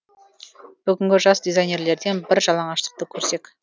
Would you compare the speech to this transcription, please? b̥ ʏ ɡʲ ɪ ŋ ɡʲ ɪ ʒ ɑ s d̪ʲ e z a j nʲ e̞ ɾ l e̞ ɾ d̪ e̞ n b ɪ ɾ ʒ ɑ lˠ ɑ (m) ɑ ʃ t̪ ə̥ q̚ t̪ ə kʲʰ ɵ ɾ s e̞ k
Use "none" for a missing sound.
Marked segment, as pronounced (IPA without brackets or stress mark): ɴ